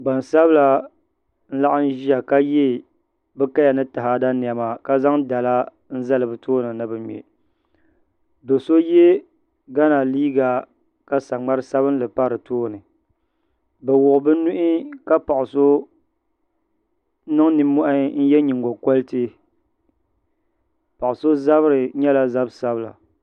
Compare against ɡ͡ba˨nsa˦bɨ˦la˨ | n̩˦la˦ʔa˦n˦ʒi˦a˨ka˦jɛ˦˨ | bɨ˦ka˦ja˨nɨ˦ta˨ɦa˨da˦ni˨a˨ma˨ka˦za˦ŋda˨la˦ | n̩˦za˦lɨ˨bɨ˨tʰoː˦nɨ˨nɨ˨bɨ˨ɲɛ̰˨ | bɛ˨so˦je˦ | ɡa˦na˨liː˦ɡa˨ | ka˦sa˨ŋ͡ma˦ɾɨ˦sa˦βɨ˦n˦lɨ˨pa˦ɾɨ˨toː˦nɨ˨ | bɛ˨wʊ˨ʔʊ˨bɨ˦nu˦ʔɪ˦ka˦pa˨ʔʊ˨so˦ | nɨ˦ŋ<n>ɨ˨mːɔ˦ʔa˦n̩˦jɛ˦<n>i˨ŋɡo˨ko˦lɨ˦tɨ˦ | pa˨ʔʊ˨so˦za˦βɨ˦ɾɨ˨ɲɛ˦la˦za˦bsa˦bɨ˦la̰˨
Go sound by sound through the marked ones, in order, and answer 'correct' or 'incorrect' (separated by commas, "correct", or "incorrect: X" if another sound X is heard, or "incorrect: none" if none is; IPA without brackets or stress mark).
correct, incorrect: ɲ